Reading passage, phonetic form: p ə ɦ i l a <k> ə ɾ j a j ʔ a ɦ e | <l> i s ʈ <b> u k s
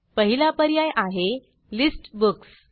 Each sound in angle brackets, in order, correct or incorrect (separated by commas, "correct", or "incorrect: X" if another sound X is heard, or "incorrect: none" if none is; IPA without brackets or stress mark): incorrect: p, correct, correct